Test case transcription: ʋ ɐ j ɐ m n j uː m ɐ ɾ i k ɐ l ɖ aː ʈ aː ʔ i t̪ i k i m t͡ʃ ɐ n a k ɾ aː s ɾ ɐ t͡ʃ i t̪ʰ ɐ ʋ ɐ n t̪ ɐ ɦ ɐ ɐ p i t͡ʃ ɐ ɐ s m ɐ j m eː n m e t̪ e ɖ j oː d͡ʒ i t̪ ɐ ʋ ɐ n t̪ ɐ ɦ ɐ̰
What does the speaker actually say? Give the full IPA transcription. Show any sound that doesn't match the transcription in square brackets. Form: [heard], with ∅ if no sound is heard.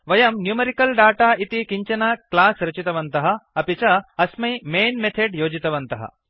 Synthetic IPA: ʋ ɐ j ɐ m n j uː m ɐ ɾ i k ɐ l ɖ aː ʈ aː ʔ i t̪ i k i [ɲ] t͡ʃ ɐ n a k [l] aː s ɾ ɐ t͡ʃ i [t̪] ɐ ʋ ɐ n t̪ ɐ ɦ ɐ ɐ p i t͡ʃ ɐ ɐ s m ɐ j m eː n m e [t̪ʰ] e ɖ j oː d͡ʒ i t̪ ɐ ʋ ɐ n t̪ ɐ ɦ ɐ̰